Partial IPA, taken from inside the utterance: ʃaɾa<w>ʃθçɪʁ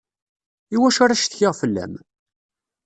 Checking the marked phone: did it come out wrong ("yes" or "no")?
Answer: yes